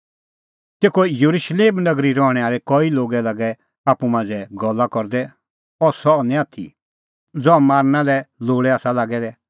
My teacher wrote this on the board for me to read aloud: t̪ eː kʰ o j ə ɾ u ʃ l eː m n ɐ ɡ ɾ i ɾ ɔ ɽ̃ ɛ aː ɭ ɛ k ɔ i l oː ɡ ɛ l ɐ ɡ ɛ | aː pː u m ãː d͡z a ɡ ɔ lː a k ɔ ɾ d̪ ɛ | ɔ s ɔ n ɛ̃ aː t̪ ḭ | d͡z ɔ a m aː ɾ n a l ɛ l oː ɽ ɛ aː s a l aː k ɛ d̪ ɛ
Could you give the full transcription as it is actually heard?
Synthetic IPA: t̪ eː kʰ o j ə ɾ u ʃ l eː m n ɐ ɡ ɾ i ɾ ɔ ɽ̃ ɛ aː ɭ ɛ k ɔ i l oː ɡ ɛ l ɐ ɡ ɛ | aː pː u m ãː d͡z ɛ ɡ ɔ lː a k ɔ ɾ d̪ ɛ | ɔ s ɔ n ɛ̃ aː t̪ʰ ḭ | d͡z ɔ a m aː ɾ n a l ɛ l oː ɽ ɛ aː s a l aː ɡ ɛ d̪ ɛ